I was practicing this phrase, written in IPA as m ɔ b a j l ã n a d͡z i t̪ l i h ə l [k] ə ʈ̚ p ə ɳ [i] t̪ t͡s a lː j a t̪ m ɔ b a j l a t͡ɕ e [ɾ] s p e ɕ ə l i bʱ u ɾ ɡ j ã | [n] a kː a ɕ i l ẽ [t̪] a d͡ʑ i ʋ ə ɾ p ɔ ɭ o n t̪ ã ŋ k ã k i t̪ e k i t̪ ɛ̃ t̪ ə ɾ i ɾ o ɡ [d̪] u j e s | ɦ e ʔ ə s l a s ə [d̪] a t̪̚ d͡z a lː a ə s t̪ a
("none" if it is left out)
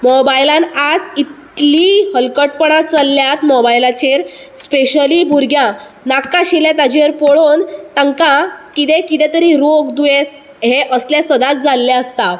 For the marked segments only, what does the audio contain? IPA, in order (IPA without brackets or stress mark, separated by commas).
k, a, ɾ, n, t̪, d̪, d̪